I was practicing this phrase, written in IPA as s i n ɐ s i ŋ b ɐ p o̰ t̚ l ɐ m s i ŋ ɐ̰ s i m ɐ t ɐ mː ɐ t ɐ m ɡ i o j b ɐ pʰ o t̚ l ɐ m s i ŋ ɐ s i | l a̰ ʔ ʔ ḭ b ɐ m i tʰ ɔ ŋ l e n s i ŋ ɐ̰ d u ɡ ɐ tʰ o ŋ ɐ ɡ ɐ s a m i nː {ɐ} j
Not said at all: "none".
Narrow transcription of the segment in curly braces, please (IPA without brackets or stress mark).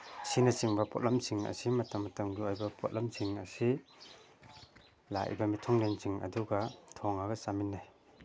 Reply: a